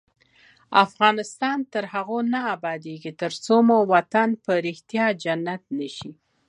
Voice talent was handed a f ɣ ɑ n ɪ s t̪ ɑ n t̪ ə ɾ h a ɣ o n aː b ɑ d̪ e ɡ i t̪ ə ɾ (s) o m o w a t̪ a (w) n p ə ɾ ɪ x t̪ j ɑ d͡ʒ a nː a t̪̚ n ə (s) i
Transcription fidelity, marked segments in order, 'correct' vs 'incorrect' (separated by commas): incorrect, incorrect, incorrect